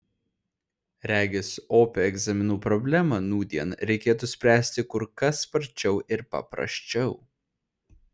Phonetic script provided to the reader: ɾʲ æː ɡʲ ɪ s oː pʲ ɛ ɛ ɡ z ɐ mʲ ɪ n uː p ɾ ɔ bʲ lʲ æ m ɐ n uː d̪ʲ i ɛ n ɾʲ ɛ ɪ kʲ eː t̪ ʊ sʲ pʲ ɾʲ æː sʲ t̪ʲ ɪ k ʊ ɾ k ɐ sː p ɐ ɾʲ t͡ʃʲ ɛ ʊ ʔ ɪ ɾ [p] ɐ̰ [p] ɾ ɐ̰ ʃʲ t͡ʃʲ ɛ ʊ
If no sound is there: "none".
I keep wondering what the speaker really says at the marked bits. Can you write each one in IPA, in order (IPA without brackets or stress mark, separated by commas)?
p, p